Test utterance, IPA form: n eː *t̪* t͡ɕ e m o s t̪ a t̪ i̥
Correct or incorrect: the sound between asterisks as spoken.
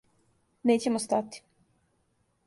incorrect: none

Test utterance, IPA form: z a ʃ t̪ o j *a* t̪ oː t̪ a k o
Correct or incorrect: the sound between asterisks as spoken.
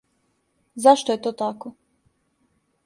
incorrect: e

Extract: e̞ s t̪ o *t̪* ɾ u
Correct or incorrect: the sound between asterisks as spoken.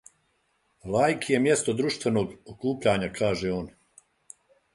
incorrect: d̪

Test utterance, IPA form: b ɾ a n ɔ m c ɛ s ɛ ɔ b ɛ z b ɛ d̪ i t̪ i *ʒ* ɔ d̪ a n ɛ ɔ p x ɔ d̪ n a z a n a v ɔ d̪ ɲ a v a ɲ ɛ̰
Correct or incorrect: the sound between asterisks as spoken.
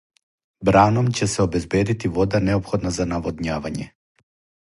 incorrect: v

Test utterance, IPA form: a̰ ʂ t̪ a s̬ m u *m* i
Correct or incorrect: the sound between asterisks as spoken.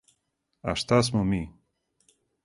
correct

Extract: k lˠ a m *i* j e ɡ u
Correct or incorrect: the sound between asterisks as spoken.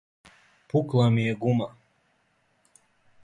correct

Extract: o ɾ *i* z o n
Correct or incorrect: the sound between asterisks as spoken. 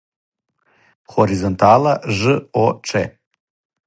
correct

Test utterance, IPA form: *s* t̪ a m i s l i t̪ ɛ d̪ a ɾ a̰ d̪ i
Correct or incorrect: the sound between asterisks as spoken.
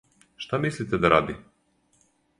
incorrect: ʃ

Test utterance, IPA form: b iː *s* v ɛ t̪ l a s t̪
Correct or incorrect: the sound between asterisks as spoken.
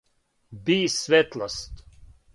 correct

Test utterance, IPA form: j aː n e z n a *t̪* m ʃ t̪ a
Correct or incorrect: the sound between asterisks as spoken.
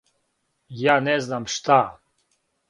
incorrect: none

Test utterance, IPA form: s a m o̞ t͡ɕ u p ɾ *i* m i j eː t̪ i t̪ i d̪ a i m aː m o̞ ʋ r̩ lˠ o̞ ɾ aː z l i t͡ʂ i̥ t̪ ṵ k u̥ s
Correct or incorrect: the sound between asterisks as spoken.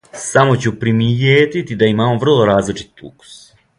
correct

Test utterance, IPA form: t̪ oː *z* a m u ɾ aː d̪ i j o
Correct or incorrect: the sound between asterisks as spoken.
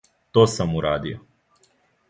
incorrect: s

